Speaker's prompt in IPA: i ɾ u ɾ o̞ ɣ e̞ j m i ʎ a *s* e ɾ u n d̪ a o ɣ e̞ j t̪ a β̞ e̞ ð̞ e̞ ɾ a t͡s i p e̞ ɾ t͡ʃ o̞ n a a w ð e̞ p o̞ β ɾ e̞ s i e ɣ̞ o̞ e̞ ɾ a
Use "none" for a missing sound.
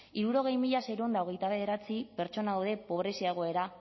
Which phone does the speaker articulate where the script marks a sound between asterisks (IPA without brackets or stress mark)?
s